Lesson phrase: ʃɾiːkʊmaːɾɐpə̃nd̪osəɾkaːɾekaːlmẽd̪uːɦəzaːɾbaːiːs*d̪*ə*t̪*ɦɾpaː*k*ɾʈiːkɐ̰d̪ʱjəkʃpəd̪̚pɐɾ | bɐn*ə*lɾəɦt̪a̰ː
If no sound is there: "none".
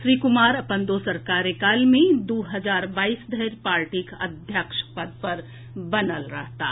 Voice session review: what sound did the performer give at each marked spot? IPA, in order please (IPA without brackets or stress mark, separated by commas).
d̪, none, none, ə